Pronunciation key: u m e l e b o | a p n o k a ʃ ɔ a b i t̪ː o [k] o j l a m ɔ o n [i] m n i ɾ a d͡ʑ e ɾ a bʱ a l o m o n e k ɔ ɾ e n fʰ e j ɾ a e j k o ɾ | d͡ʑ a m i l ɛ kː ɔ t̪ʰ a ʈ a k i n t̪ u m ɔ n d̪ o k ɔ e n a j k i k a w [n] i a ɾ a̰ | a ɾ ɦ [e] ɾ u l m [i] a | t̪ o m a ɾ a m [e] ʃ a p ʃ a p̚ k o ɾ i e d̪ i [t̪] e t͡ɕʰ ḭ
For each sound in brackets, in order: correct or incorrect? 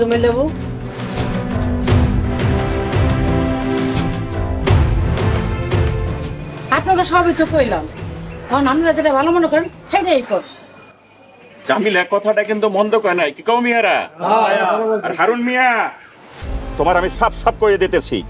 correct, incorrect, incorrect, incorrect, correct, incorrect, correct

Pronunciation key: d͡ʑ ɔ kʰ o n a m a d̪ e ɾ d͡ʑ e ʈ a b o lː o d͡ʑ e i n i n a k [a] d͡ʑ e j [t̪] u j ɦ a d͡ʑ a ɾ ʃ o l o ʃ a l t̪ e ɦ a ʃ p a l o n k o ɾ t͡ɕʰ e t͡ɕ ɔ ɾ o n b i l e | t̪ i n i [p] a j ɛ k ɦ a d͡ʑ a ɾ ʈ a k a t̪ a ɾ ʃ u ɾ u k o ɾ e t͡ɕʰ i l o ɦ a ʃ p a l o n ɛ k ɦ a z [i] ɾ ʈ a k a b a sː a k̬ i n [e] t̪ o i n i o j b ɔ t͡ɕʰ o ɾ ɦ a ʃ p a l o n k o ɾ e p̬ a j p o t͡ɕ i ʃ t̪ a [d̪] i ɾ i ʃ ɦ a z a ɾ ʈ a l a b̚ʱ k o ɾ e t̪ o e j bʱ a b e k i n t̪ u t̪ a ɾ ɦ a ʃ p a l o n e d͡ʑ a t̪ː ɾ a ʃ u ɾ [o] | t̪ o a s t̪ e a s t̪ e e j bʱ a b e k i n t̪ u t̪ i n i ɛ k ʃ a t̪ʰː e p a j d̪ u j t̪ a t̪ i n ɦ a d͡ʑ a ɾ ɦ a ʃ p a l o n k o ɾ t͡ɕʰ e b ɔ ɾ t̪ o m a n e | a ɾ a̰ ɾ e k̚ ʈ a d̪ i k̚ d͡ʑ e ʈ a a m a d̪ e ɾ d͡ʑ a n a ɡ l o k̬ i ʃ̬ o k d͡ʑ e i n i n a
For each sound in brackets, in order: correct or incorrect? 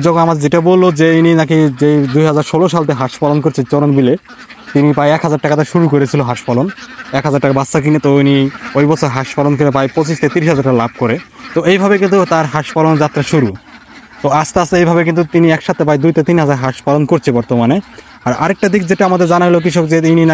incorrect, incorrect, correct, incorrect, correct, incorrect, incorrect

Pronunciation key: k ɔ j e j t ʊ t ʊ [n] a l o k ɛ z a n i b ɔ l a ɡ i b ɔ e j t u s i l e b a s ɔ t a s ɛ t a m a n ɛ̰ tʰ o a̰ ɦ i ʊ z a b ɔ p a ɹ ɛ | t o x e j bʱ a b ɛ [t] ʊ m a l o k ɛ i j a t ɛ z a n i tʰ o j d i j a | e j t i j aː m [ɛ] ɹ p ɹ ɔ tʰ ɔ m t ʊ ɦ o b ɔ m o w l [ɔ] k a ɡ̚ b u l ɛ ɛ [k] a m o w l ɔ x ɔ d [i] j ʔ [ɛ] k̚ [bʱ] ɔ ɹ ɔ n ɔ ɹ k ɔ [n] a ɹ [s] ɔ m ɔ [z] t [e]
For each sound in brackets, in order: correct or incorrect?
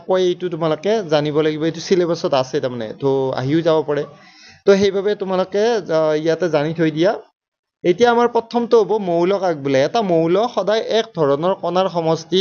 incorrect, correct, incorrect, correct, incorrect, incorrect, correct, incorrect, correct, incorrect, incorrect, incorrect

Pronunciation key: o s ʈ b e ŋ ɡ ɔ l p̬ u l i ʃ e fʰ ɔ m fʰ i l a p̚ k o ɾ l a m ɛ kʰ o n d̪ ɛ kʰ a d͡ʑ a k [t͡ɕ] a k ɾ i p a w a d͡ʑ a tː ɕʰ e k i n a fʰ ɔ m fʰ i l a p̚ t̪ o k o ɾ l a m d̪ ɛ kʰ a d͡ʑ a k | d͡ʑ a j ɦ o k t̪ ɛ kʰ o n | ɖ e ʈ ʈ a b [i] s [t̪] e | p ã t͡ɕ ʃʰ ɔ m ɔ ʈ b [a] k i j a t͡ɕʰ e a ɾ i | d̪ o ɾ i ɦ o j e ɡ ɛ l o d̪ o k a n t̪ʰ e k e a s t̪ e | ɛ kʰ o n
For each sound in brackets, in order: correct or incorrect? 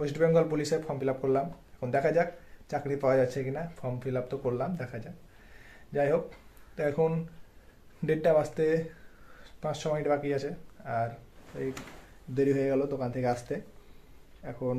correct, incorrect, correct, correct

